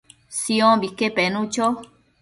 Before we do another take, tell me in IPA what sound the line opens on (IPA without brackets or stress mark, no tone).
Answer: s